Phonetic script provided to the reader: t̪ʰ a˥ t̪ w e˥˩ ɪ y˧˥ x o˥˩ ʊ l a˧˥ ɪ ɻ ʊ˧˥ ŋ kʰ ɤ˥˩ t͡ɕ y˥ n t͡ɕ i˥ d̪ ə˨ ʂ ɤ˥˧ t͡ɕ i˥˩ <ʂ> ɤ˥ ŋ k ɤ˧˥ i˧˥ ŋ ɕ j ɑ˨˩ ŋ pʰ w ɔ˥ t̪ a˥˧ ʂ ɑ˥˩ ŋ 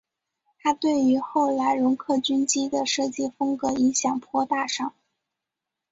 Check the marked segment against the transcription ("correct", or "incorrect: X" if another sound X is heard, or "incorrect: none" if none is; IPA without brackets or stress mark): incorrect: f